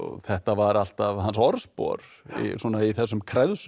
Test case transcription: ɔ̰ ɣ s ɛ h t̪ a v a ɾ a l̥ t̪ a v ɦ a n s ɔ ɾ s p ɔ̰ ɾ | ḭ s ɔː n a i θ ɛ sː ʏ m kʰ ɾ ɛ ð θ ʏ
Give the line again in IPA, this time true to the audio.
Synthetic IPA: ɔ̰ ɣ θ ɛ h t̪ a v a ɾ a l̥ t̪ a v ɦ a n s ɔ ɾ s p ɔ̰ ɾ | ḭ s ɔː n a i θ ɛ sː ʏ m kʰ ɾ ɛ ð s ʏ